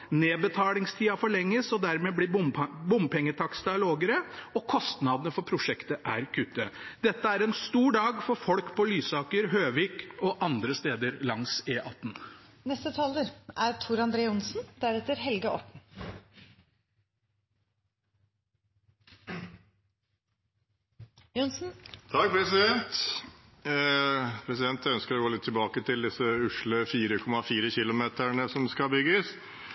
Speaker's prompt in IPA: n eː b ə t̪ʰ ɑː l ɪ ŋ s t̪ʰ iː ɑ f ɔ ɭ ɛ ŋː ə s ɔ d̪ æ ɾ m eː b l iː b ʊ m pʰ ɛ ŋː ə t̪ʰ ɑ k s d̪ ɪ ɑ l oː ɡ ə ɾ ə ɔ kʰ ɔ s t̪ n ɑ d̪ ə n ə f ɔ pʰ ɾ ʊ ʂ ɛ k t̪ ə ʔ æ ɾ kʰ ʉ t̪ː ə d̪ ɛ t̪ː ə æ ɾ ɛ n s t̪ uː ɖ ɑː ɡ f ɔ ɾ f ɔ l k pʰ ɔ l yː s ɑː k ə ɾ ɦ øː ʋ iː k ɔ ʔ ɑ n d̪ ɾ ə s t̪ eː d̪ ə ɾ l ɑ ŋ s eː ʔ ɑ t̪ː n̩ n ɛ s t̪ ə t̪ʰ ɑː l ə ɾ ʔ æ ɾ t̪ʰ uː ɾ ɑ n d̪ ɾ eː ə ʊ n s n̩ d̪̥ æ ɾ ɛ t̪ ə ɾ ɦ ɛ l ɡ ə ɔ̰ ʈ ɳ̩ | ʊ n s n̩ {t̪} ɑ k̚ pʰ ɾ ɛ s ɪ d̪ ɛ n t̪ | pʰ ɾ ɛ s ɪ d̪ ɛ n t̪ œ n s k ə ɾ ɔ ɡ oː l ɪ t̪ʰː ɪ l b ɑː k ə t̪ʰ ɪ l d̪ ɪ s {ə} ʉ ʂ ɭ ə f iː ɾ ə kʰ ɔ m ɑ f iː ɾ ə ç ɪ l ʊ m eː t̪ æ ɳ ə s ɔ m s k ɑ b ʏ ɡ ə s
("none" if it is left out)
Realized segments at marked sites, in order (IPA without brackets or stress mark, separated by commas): t̪ʰ, ə